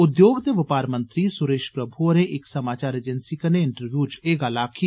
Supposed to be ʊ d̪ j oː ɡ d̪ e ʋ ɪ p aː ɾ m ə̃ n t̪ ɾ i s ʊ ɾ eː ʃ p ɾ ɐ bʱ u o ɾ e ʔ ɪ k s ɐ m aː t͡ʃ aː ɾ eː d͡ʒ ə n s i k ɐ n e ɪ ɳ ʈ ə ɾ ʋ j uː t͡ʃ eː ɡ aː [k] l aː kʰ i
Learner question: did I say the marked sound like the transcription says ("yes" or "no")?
no